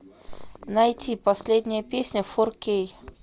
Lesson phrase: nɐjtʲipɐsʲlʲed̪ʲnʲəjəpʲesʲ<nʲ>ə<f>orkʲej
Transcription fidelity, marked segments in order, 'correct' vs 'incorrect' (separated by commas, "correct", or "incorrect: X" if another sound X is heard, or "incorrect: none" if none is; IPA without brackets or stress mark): correct, correct